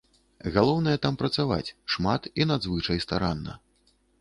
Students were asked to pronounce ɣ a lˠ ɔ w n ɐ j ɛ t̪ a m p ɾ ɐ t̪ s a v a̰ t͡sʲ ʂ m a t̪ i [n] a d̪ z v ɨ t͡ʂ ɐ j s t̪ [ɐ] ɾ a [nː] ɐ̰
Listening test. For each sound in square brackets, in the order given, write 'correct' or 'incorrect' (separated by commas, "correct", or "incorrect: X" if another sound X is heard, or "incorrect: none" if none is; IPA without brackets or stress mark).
correct, incorrect: a, correct